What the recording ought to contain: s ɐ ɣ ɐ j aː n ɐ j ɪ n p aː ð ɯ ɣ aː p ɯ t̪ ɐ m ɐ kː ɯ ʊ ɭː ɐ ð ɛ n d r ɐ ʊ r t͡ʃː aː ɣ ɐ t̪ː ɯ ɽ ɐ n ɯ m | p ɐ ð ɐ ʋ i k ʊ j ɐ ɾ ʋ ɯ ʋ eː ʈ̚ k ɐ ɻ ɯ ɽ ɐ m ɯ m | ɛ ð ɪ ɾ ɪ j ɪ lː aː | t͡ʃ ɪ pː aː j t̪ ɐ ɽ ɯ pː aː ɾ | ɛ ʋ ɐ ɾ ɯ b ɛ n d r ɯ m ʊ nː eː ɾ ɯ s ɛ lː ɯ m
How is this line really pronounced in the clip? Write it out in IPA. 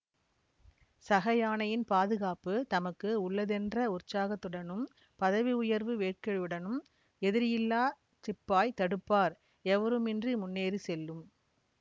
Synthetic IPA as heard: s ɐ ɣ ɐ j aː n ɐ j ɪ n p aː ð ɯ ɣ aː p ɯ t̪ ɐ m ɐ kː ɯ ʊ ɭː ɐ ð ɛ n d r ɐ ʊ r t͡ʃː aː ɣ ɐ t̪ː ɯ ɽ ɐ n ɯ m | p ɐ ð ɐ ʋ i ʊ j ɐ ɾ ʋ ɯ ʋ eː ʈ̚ k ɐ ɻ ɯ ɽ ɐ n ɯ m | ɛ ð ɪ ɾ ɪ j ɪ lː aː | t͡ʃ ɪ pː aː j t̪ ɐ ɽ ɯ pː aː ɾ | ɛ ʋ ɐ ɾ ɯ m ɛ n d r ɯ m ʊ nː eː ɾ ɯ s ɛ lː ɯ m